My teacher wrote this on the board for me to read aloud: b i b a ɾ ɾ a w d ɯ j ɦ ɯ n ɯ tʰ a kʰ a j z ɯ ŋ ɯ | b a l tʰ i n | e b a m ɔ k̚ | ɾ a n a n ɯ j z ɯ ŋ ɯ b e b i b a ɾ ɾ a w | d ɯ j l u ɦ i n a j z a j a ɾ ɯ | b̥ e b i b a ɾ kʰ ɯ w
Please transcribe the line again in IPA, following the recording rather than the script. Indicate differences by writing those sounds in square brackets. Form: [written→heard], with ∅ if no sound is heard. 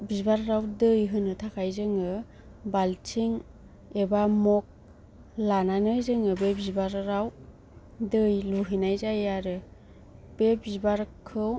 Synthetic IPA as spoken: b i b a ɾ ɾ a w d ɯ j ɦ ɯ n ɯ tʰ a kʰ a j z ɯ ŋ ɯ | b a l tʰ i [n→ŋ] | e b a m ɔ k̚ | [ɾ→l] a n a n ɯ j z ɯ ŋ ɯ b e b i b a ɾ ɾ a w | d ɯ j l u ɦ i n a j z a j a ɾ ɯ | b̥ e b i b a ɾ kʰ ɯ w